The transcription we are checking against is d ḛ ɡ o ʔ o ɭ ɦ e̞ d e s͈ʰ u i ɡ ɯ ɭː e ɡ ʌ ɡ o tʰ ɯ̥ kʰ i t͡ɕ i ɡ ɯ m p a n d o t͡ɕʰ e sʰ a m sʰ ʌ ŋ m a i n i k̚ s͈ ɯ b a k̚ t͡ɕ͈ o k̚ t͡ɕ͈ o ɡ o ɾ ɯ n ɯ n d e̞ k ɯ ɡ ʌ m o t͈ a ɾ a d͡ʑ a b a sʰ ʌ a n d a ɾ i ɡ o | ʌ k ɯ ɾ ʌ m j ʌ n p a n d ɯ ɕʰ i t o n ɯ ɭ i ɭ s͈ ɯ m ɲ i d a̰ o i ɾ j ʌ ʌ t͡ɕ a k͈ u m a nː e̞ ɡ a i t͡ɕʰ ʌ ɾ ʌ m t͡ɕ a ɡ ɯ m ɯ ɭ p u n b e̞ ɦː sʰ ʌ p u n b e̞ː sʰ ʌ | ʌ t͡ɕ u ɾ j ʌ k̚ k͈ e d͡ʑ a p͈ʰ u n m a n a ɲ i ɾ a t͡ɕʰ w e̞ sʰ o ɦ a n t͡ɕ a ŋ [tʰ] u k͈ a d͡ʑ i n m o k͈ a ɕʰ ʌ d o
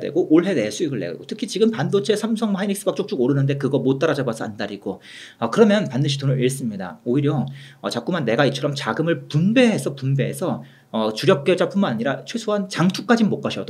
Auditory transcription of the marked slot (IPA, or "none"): tʰ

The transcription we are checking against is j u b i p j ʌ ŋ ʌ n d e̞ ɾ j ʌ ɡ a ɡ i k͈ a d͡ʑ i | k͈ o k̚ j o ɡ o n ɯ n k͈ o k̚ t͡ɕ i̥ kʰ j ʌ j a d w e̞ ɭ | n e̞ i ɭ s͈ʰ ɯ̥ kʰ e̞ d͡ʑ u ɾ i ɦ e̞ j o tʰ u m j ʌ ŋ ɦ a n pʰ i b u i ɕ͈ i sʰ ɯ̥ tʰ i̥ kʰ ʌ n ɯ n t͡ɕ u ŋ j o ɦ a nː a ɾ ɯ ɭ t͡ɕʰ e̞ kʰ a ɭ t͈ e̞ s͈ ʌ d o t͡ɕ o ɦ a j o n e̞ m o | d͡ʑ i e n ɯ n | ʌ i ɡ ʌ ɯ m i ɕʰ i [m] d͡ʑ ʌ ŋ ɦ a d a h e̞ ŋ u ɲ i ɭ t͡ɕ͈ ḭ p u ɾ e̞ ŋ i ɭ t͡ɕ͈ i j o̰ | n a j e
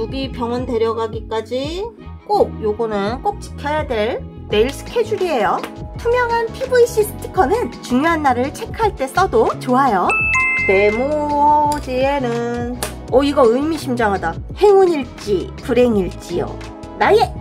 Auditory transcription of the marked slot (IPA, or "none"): m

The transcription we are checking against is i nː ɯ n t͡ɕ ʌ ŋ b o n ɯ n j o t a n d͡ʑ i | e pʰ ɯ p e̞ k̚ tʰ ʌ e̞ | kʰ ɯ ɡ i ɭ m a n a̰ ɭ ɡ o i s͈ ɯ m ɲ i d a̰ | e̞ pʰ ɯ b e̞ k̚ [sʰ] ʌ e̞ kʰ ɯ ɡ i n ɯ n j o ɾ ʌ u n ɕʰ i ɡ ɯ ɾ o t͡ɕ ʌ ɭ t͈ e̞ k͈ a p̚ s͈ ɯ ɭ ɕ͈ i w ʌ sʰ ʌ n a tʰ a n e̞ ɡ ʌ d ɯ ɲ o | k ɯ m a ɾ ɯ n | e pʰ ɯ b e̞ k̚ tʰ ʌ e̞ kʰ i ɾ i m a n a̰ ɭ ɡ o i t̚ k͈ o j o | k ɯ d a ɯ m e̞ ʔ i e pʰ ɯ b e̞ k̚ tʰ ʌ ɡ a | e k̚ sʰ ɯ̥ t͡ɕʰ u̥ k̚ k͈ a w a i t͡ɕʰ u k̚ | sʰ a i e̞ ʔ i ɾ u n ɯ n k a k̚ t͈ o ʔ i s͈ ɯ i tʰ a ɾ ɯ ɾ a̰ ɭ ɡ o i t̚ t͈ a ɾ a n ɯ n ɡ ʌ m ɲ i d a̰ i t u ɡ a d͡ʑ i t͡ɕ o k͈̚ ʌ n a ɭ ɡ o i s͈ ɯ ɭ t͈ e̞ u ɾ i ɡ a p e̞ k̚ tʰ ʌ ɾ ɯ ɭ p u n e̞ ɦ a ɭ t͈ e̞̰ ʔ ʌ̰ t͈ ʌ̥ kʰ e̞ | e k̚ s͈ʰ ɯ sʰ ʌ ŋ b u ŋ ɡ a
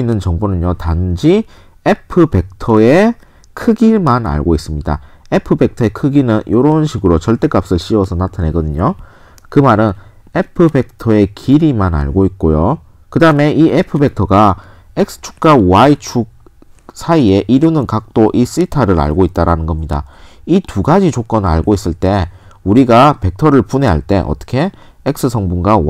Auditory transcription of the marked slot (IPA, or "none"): tʰ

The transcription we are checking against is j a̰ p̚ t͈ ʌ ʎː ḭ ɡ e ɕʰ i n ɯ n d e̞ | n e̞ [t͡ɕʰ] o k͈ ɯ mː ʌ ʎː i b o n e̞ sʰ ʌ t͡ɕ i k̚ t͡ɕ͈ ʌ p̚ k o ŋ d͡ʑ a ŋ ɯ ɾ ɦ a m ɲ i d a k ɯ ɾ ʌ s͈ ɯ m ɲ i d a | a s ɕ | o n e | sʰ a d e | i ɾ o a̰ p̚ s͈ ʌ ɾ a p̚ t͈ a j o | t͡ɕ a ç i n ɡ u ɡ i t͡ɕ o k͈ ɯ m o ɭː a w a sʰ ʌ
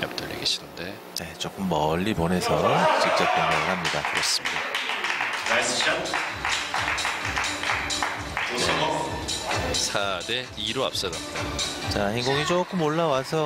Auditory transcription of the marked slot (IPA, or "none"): t͡ɕ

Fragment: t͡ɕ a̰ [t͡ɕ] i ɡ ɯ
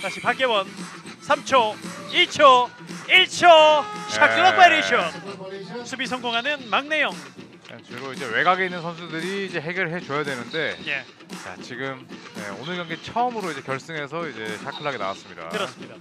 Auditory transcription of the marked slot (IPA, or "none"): t͡ɕ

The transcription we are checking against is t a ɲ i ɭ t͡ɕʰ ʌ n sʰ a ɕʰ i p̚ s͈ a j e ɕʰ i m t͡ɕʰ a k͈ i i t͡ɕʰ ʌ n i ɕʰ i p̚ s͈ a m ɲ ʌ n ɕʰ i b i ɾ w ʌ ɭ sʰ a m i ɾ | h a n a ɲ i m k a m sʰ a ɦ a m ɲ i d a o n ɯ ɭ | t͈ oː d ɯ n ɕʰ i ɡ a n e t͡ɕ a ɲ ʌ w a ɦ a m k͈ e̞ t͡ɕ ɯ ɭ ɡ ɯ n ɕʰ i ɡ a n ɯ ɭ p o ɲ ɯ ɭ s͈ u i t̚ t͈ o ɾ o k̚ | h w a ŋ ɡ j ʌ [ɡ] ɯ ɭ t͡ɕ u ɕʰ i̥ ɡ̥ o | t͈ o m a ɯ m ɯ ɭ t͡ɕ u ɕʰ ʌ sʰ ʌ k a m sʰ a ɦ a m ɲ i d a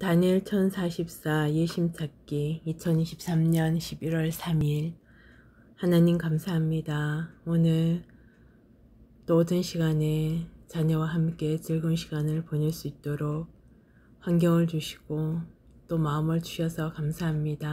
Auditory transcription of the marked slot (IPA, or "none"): ŋ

